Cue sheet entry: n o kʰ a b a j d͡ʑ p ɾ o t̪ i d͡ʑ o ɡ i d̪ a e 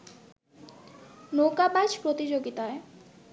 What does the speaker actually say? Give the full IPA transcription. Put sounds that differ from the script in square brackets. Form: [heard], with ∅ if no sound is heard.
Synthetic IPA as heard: n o [k] a b a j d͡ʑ p ɾ o t̪ i d͡ʑ o ɡ i [t̪] a e